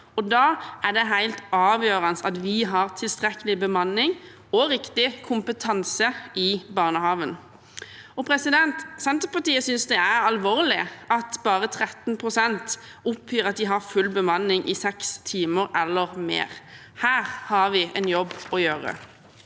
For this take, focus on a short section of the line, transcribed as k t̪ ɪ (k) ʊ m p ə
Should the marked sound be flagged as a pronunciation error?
yes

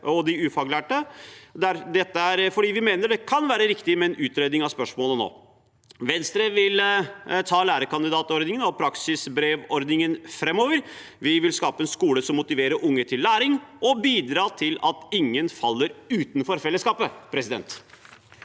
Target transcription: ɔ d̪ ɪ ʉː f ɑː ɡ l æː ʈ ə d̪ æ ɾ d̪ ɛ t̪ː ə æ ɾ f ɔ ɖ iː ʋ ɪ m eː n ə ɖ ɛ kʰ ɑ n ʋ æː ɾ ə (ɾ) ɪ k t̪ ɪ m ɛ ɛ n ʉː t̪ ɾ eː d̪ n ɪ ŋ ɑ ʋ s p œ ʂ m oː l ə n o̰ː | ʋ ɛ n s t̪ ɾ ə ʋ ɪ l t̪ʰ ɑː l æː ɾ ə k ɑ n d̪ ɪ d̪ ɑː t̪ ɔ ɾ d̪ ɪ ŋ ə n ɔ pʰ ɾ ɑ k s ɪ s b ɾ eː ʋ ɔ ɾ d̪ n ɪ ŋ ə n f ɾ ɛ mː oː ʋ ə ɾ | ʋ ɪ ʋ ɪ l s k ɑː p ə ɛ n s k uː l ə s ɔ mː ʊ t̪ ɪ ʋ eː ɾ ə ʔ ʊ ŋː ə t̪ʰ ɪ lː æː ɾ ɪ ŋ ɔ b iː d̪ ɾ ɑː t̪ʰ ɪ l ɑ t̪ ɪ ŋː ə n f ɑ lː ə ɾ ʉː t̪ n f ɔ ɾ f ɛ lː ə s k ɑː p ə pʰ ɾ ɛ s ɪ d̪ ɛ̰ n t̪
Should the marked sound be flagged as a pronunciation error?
no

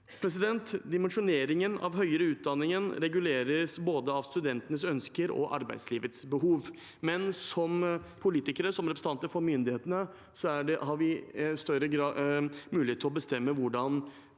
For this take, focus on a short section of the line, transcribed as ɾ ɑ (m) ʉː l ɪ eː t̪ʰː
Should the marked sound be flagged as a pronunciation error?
no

